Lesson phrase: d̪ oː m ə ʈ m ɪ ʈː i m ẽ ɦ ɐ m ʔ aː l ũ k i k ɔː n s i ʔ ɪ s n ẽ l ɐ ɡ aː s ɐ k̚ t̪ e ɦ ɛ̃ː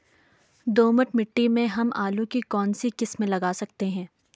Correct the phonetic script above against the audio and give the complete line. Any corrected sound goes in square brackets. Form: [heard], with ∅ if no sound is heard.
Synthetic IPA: d̪ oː m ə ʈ m ɪ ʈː i m ẽ ɦ ɐ m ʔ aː l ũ k i k ɔː n s i [k] ɪ s [m] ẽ l ɐ ɡ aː s ɐ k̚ t̪ e ɦ ɛ̃ː